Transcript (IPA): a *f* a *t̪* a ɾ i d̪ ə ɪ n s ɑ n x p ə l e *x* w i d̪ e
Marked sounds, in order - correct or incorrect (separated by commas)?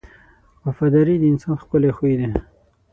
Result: correct, incorrect, correct